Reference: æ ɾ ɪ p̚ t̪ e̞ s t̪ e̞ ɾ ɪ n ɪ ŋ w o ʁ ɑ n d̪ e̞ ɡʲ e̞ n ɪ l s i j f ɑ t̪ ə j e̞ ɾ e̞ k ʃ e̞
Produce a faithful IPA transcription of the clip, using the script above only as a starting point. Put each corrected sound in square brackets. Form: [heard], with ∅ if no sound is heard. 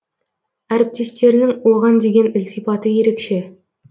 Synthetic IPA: æ ɾ ɪ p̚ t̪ e̞ s t̪ e̞ ɾ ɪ n ɪ ŋ w o ʁ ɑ n d̪ e̞ ɡʲ e̞ n ɪ l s i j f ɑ t̪ ə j e̞ ɾ e̞ k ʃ e̞